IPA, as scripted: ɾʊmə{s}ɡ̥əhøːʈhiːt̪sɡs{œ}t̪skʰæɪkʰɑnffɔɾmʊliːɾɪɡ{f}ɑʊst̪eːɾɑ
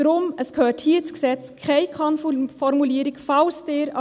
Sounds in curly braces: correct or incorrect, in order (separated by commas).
correct, incorrect, correct